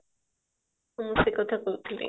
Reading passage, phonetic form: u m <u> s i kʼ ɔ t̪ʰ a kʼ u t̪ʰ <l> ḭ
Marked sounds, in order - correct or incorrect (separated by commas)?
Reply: correct, correct